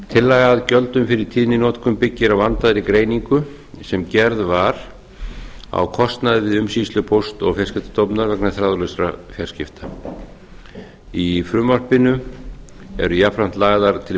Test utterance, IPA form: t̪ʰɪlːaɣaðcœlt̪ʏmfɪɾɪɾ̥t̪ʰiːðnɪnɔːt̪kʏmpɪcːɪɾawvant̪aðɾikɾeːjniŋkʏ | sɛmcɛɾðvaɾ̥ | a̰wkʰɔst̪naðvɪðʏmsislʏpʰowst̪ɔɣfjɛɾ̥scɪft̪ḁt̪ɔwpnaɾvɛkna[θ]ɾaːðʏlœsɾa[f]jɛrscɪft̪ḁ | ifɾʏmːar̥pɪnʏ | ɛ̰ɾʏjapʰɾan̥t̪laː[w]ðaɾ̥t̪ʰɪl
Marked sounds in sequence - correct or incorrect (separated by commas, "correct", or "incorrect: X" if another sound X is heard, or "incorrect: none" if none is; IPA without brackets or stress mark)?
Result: correct, correct, incorrect: ɣ